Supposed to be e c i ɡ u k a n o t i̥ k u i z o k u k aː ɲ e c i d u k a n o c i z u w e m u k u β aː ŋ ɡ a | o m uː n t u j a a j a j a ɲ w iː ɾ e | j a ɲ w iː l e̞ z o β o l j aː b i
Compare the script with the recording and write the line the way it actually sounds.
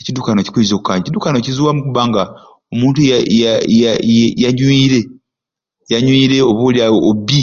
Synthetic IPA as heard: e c i d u k a n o c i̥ k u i z o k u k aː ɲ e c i d u k a n o c i z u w a m u k u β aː ŋ ɡ a | o m uː n t u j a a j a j a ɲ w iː ɾ e | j a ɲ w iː ɾ e̞ o β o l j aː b i